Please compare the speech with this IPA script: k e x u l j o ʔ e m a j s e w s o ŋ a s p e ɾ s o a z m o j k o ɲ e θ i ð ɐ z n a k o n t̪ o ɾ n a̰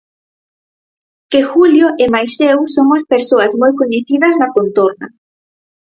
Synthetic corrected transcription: k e x u l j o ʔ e m a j s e w s o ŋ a s p e ɾ s o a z m o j k o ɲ e θ i ð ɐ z n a k o n t̪ o ɾ n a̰